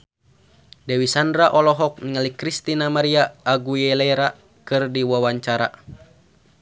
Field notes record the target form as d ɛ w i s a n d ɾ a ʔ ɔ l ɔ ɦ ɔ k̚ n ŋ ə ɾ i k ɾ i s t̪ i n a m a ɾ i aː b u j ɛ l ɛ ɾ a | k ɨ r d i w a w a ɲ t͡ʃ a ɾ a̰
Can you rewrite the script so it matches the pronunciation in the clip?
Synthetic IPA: d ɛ w i s a n d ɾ a ʔ ɔ l ɔ ɦ ɔ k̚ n ŋ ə l i k ɾ i s t̪ i n a m a ɾ i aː ɡ u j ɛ l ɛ ɾ a | k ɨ r d i w a w a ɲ t͡ʃ a ɾ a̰